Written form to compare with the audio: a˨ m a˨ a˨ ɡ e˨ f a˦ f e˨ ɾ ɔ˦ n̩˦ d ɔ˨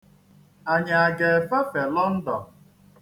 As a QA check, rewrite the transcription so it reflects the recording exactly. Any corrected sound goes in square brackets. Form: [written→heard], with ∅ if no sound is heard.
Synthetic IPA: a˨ [m→ɲ] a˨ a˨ ɡ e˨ f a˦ f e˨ [ɾ→l] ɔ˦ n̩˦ d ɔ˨